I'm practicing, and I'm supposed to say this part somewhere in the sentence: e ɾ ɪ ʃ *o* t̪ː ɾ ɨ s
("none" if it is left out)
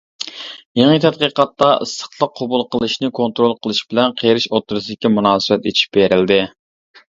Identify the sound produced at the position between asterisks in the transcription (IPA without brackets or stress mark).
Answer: o